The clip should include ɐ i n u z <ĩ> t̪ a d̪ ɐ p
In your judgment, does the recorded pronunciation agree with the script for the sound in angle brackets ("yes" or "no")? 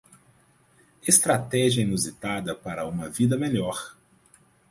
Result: no